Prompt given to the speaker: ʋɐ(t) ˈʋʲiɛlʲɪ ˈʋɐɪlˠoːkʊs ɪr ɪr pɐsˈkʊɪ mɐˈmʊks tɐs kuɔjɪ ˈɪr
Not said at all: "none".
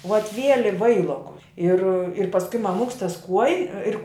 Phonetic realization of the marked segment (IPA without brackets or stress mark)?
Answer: t